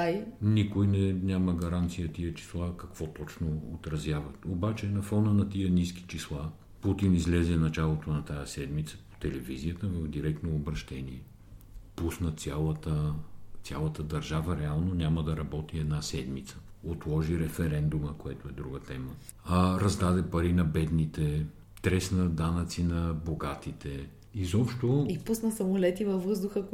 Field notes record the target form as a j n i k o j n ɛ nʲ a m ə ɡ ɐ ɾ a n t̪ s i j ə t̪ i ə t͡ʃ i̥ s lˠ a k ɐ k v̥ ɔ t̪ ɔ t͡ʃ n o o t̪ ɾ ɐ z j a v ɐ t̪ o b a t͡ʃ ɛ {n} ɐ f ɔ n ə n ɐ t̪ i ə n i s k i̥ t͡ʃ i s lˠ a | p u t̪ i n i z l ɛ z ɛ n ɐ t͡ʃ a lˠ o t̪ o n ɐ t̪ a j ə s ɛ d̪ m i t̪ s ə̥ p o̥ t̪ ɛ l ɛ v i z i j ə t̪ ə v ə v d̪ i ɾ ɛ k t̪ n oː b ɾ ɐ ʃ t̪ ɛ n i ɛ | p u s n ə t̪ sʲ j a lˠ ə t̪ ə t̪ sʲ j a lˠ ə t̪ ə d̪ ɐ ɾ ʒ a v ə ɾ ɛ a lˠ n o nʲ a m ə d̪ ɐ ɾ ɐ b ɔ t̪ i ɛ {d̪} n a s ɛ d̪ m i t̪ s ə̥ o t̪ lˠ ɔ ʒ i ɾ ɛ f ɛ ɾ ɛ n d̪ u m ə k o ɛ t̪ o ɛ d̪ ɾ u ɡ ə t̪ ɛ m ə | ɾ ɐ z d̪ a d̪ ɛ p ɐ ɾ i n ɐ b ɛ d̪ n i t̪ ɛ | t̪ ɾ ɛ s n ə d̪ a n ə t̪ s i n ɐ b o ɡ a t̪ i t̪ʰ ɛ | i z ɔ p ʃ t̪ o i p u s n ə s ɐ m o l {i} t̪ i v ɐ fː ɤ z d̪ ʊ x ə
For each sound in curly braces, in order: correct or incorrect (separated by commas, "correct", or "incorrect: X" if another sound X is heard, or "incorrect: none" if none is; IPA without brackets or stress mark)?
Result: correct, correct, incorrect: ɛ